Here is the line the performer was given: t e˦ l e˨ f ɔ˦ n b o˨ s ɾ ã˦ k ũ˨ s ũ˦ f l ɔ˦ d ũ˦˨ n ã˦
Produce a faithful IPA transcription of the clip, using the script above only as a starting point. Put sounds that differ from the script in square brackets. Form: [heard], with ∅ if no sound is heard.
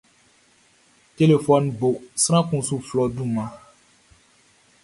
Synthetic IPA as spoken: t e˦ l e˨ f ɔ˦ n b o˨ s ɾ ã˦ k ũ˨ s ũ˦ f l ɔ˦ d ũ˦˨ [m] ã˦